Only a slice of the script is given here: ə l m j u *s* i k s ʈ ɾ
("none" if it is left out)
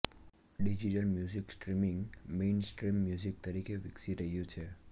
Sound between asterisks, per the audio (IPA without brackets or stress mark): z